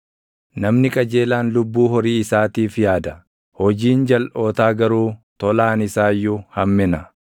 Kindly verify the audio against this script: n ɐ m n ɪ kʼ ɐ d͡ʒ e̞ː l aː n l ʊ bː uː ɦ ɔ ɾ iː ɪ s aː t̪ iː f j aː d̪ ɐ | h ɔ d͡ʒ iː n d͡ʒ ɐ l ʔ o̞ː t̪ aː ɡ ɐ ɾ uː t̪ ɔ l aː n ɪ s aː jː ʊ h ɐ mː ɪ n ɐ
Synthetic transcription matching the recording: n ɐ m n ɪ kʼ ɐ d͡ʒ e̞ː l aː n l ʊ bː uː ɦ ɔ ɾ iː ɪ s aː t̪ iː f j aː d̪ ɐ | h ɔ d͡ʒ iː n d͡ʒ ɐ l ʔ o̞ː t̪ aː ɡ ɐ ɾ uː t̪ ɔ l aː n ɪ s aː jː ʊ h ɐ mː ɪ n ɐ